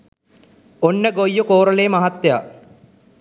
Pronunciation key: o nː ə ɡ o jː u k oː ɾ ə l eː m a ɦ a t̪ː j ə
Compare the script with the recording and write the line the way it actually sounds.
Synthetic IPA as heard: o nː ə ɡ o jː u k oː ɾ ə l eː m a ɦ a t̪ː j a